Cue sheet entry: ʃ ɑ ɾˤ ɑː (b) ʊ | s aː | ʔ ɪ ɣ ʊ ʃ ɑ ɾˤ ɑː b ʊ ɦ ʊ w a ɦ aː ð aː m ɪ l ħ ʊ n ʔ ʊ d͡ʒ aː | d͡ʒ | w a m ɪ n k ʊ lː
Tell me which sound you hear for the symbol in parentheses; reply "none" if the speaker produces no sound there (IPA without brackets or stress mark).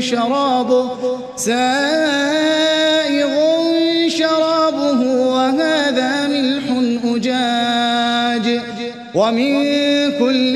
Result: b